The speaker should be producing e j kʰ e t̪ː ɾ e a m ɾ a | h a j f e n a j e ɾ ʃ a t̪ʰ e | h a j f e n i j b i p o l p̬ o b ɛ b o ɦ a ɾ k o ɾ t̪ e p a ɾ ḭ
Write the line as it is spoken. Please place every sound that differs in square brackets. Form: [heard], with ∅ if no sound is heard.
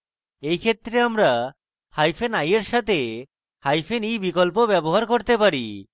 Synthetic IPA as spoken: e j kʰ e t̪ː ɾ e a m ɾ a | h a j f e n a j e ɾ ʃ a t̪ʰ e | h a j f e n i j b i [k] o l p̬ o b ɛ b o ɦ a ɾ k o ɾ t̪ e p a ɾ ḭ